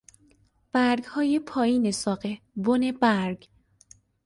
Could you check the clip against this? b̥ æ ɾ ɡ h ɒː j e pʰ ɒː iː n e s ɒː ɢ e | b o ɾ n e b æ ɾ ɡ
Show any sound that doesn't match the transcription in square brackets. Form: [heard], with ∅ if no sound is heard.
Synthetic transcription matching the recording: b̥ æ ɾ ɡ h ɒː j e pʰ ɒː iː n e s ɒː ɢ e | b o [∅] n e b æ ɾ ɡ